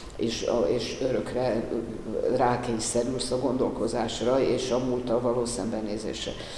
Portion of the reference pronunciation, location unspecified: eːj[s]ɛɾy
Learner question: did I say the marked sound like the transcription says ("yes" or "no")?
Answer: yes